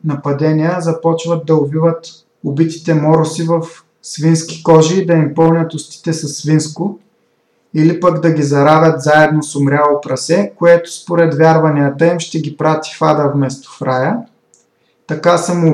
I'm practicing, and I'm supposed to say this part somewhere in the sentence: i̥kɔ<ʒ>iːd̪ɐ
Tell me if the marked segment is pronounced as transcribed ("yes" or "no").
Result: yes